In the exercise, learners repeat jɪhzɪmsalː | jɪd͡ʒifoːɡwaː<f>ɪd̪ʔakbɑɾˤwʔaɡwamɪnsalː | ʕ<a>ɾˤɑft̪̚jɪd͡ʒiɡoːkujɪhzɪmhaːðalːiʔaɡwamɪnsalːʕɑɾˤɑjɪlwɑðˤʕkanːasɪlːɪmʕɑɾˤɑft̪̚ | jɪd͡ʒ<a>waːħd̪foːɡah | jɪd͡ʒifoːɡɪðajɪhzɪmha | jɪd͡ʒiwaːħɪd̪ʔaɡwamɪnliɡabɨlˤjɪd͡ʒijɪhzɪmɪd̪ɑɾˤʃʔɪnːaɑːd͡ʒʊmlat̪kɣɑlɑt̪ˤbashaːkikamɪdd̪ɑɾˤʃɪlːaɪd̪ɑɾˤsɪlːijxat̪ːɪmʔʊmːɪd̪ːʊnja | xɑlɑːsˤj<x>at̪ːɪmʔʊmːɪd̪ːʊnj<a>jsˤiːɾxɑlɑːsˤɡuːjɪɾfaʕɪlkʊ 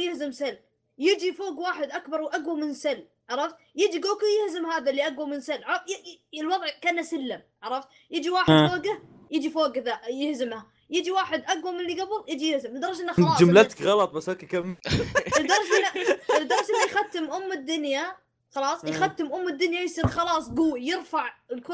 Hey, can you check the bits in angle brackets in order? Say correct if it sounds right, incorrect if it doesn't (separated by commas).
incorrect, incorrect, incorrect, correct, correct